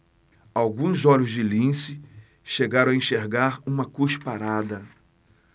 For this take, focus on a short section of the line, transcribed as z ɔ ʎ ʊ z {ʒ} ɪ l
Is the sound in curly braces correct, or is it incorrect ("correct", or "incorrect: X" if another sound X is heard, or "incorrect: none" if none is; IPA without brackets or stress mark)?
incorrect: d͡ʒ